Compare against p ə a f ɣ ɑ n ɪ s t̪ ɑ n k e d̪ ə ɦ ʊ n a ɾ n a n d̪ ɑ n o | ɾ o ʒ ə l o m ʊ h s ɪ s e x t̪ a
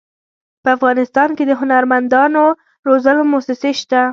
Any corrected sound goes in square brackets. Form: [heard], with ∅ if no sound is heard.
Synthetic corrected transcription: p ə a f ɣ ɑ n ɪ s t̪ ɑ n k e d̪ ə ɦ ʊ n a ɾ [m] a n d̪ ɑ n o | ɾ o [z] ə l o m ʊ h s ɪ s e [ʃ] t̪ a